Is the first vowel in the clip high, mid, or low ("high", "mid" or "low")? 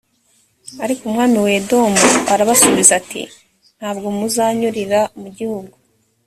low